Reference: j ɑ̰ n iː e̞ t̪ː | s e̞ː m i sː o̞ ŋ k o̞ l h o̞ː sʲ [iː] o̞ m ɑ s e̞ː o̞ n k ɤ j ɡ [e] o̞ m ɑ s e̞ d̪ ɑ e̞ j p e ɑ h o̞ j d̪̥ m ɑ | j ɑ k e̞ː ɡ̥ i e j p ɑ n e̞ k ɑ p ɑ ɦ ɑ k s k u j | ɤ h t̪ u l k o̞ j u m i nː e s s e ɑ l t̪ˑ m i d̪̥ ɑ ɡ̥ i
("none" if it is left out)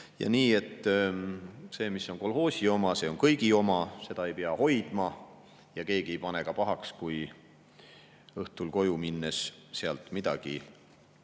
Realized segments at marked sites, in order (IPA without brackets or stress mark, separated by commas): i, i